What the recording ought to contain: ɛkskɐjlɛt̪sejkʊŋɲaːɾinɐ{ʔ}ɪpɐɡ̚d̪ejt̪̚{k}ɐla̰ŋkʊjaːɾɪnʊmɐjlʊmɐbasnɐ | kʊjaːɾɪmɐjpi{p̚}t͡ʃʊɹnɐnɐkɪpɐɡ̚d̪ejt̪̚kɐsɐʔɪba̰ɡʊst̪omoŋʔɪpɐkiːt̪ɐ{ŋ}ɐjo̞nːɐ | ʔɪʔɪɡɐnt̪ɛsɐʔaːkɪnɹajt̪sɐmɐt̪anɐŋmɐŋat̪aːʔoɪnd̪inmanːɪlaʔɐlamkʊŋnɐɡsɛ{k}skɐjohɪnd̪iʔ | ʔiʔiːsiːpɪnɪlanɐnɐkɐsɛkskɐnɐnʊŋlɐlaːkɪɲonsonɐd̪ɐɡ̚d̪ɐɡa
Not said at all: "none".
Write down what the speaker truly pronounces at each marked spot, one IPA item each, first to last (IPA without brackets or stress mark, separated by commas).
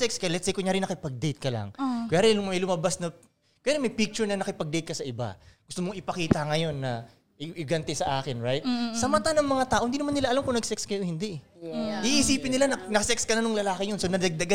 k, k, k̚, ŋ, k